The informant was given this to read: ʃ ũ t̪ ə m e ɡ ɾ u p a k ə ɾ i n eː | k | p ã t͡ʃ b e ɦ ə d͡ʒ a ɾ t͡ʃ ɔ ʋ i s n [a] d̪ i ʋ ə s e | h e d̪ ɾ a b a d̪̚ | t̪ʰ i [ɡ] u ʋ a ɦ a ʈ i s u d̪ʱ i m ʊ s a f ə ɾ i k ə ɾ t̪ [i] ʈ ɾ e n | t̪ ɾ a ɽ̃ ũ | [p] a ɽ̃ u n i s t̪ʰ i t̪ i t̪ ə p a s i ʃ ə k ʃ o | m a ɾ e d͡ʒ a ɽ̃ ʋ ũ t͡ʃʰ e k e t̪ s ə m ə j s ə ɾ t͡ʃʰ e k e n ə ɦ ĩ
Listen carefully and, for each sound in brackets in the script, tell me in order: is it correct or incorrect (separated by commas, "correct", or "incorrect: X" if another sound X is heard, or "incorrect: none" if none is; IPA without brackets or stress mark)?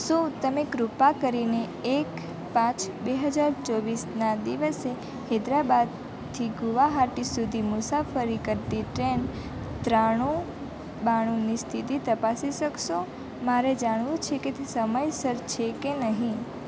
correct, correct, correct, incorrect: b